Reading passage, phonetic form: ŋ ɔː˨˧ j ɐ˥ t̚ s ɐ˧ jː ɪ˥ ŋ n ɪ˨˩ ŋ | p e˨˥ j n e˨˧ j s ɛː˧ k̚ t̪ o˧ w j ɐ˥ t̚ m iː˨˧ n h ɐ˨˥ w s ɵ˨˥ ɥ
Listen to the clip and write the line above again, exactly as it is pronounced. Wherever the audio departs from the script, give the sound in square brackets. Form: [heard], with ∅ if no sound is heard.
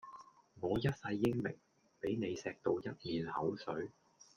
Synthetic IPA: ŋ ɔː˨˧ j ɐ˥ t̚ s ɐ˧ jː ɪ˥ ŋ [m] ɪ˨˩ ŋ | p e˨˥ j n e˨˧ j s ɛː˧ k̚ t̪ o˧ w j ɐ˥ t̚ m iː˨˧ n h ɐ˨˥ w s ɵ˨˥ ɥ